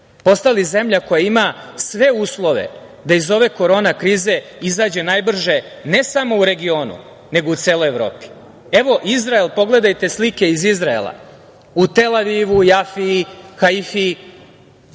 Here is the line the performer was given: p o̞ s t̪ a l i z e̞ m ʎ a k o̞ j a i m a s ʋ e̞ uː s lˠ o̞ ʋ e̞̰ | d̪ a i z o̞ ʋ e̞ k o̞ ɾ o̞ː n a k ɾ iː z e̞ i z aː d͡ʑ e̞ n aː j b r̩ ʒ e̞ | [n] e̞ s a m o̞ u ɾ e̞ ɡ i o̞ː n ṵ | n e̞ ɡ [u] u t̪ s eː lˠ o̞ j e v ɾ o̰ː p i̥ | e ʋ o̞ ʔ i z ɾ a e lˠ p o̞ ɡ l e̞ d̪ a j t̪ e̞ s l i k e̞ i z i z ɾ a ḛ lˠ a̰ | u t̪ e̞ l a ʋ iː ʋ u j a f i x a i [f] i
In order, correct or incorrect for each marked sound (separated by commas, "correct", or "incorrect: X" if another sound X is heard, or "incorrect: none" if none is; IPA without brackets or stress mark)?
correct, incorrect: o, correct